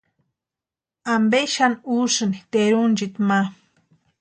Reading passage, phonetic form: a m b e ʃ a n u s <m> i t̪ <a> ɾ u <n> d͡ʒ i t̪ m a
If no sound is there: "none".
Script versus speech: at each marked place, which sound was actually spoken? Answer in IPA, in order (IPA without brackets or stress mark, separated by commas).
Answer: n, e, n